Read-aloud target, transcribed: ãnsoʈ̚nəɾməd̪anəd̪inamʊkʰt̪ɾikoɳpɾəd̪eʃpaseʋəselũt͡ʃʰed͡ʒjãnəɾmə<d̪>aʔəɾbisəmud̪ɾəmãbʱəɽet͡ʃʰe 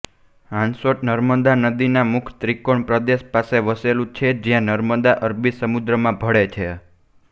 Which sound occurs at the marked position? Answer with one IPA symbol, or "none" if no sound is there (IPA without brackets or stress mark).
d̪